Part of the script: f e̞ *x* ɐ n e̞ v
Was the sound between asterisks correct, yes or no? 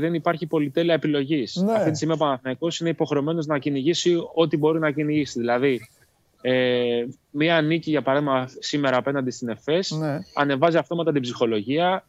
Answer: no